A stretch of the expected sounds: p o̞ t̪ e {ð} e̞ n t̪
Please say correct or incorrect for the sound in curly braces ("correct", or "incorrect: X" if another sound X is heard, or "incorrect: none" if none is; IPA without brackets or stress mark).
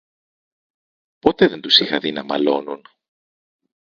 correct